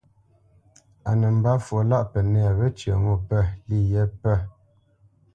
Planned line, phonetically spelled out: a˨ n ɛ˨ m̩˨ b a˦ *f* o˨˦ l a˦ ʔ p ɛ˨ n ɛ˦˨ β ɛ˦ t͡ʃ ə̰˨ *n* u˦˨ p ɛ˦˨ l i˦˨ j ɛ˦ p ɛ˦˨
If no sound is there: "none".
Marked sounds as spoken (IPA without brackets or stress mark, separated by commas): f, ŋ